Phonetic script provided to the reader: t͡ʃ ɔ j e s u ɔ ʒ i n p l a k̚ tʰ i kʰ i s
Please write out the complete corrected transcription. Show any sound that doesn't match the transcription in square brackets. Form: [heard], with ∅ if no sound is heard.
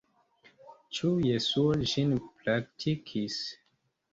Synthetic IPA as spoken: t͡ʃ [u] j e s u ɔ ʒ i n p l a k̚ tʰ i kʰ i s